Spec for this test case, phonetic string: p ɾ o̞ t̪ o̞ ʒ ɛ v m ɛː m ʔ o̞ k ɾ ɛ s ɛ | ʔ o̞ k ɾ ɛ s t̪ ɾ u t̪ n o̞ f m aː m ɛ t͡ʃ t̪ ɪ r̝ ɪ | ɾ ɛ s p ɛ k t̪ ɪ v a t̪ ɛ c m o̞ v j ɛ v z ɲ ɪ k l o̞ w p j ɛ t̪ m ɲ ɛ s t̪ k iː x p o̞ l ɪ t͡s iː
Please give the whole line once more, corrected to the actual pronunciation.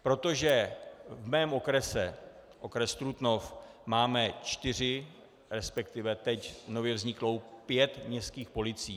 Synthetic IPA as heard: p ɾ o̞ t̪ o̞ ʒ ɛ v m ɛː m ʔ o̞ k ɾ ɛ s ɛ | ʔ o̞ k ɾ ɛ s t̪ ɾ u t̪ n o̞ f m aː m ɛ t͡ʃ t̪ ɪ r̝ ɪ | ɾ ɛ s p ɛ k t̪ ɪ v ɛ t̪ ɛ c n o̞ v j ɛ v z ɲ ɪ k l o̞ w p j ɛ t̪ m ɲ ɛ s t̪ k iː x p o̞ l ɪ t͡s iː